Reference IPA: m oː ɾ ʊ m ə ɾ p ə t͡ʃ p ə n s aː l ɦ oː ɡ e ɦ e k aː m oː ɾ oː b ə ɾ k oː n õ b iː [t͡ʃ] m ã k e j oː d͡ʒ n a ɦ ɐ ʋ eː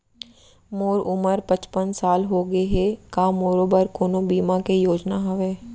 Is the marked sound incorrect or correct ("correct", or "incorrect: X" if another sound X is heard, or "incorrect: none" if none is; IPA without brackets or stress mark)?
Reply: incorrect: none